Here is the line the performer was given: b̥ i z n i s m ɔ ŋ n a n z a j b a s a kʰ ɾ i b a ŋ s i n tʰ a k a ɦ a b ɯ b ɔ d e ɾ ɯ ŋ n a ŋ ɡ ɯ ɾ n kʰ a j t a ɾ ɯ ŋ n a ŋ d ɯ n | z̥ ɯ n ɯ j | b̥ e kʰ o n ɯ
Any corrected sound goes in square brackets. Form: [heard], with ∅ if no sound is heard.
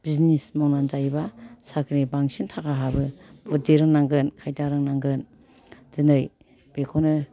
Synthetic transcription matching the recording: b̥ i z n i s m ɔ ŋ n a n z a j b a s a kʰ ɾ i b a ŋ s i n tʰ a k a ɦ a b ɯ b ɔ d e ɾ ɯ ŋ n a ŋ ɡ ɯ [∅] n kʰ a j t a ɾ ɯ ŋ n a ŋ [ɡ] ɯ n | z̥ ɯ n ɯ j | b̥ e kʰ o n ɯ

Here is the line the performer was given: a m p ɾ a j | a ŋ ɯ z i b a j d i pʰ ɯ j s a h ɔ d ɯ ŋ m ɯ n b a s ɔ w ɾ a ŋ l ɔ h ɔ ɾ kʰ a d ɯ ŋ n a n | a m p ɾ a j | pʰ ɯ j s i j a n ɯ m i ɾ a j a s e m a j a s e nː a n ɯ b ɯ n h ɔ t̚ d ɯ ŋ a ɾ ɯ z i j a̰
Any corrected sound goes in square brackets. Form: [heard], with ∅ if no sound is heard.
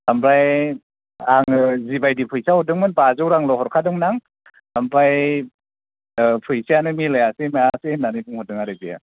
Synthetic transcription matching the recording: a m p ɾ a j | a ŋ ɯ z i b a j d i pʰ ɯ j s a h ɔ d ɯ ŋ m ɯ n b a [z] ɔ w ɾ a ŋ l ɔ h ɔ ɾ kʰ a d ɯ ŋ n a [ŋ] | a m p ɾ a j | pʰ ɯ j s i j a n ɯ m i [l] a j a s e m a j a s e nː a n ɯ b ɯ [ŋ] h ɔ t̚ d ɯ ŋ a ɾ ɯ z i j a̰

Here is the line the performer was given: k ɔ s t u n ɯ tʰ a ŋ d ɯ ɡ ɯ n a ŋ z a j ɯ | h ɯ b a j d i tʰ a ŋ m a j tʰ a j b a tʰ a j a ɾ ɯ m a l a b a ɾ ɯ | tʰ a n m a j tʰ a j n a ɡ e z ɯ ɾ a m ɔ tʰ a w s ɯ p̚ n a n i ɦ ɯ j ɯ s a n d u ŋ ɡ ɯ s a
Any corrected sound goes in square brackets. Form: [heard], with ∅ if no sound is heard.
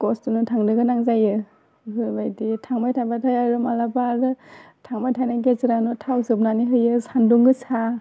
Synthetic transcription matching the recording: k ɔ s t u n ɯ tʰ a ŋ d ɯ ɡ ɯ n a ŋ z a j ɯ | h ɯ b a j d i tʰ a ŋ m a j tʰ a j b a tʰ a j a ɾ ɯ m a l a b a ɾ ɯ | tʰ a [ŋ] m a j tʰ a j n a ɡ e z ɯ ɾ a [n] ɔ tʰ a w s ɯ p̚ n a n i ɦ ɯ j ɯ s a n d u ŋ ɡ ɯ s a

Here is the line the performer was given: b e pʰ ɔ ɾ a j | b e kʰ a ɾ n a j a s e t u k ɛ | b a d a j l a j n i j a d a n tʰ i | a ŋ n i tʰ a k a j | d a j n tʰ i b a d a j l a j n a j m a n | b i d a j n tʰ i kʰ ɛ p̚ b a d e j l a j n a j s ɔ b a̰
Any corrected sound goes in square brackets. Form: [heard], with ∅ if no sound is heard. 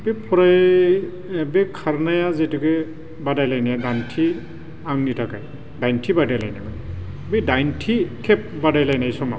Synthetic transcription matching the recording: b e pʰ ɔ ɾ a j | b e kʰ a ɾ n a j a [z] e t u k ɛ | b a d a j l a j n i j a d a n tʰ i | a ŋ n i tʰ a k a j | d a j n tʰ i b a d a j l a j n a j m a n | b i d a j n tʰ i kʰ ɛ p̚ b a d [a] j l a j n a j s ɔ [m] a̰

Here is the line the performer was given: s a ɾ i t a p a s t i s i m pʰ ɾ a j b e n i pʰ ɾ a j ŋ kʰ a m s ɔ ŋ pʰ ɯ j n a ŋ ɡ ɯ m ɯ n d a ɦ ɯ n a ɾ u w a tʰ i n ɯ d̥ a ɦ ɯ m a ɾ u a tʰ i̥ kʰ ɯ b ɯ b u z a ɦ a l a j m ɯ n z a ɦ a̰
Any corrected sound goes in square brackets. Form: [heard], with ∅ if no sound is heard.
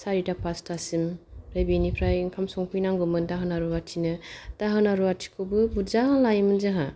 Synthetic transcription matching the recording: s a ɾ i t a p a s t [a] s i m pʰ ɾ a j b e n i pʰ ɾ a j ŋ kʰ a m s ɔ ŋ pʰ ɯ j n a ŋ ɡ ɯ m ɯ n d a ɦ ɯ n a ɾ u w a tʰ i n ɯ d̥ a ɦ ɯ [n] a ɾ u a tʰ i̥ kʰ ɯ b ɯ b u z a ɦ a l a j m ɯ n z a ɦ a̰

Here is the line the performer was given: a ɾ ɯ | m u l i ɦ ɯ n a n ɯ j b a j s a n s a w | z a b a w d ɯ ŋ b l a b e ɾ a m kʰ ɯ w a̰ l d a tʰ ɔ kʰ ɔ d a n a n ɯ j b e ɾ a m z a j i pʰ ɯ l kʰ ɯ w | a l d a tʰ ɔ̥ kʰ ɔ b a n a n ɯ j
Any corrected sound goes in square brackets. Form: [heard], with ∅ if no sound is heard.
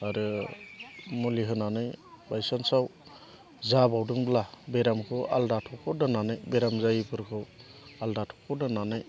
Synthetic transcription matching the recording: a ɾ ɯ | m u l i ɦ ɯ n a n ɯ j b a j s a n s a w | z a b a w d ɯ ŋ b l a b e ɾ a m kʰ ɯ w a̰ l d a tʰ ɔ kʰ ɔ d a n a n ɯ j b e ɾ a m z a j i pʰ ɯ [ɾ] kʰ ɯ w | a l d a tʰ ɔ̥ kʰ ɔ [d] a n a n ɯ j

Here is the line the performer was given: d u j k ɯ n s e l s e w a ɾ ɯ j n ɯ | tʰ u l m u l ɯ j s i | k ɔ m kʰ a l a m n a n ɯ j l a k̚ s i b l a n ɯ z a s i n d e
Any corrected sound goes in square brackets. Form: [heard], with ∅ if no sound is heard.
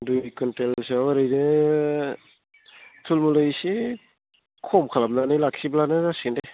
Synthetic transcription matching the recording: d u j k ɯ n [t] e l s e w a ɾ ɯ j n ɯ | tʰ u l m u l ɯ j s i | [kʰ] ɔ m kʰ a l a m n a n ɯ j l a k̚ s i b l a n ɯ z a s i n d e

